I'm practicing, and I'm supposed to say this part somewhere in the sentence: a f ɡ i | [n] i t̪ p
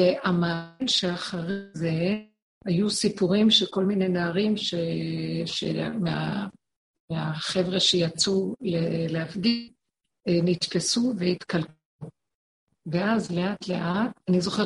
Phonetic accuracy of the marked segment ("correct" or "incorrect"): correct